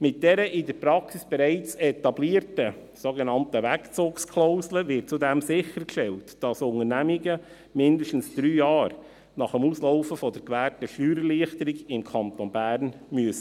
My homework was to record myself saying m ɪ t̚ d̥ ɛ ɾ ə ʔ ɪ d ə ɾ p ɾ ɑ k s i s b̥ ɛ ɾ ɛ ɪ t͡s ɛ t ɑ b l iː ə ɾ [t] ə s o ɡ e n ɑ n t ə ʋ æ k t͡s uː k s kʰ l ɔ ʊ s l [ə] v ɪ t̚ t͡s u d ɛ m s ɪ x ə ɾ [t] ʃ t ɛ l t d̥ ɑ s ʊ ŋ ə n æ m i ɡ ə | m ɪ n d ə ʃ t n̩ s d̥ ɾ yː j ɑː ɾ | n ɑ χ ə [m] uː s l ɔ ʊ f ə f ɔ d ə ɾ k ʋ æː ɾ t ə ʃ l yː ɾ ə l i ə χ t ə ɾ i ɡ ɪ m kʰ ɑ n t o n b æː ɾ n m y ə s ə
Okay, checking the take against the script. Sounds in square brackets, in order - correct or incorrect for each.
correct, correct, incorrect, correct

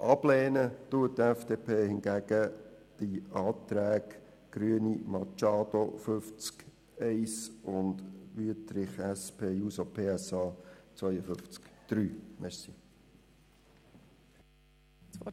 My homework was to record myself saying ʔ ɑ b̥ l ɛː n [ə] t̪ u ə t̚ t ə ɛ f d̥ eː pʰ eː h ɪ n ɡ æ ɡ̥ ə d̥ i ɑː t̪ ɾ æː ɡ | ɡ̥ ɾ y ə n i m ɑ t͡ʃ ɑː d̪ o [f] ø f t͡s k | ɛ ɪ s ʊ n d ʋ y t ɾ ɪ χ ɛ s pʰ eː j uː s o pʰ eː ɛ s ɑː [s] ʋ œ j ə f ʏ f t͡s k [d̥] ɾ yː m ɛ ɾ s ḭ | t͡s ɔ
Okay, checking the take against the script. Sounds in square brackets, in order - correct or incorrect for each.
correct, correct, incorrect, correct

